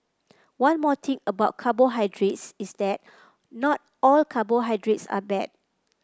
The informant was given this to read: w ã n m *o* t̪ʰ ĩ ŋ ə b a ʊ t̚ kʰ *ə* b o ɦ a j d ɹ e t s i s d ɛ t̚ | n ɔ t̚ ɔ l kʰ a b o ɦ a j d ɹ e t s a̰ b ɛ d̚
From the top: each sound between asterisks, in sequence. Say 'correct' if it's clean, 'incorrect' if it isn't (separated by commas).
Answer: incorrect, incorrect